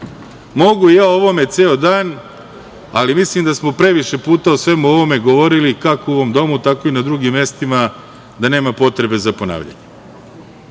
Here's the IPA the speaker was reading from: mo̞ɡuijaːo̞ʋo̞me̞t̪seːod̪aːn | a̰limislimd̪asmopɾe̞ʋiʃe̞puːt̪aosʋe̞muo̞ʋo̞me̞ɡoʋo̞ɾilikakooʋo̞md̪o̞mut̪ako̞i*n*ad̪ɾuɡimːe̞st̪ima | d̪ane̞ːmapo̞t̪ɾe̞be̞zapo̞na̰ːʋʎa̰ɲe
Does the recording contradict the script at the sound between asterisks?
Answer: no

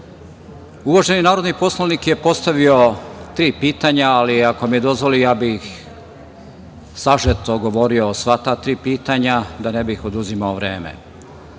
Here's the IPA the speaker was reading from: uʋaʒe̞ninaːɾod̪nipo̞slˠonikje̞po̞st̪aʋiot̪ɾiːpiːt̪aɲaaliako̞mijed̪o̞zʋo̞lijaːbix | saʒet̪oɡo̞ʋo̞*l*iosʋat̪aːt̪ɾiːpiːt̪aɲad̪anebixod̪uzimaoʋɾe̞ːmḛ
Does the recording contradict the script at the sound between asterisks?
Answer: yes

